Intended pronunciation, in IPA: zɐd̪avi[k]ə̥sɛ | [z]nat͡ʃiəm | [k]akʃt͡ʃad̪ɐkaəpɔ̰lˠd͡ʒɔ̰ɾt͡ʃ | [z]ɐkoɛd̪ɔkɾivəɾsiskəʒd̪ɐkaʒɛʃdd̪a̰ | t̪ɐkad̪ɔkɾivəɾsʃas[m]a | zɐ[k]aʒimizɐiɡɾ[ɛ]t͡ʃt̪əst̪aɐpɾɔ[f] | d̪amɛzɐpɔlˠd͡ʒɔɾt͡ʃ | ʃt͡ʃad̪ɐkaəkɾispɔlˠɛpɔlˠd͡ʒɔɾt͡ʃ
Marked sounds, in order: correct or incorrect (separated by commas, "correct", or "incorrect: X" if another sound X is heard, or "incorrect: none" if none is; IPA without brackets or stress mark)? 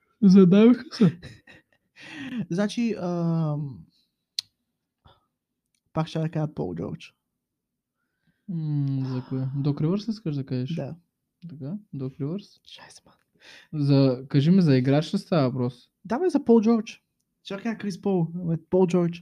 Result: incorrect: x, correct, incorrect: p, correct, correct, correct, incorrect: a, incorrect: s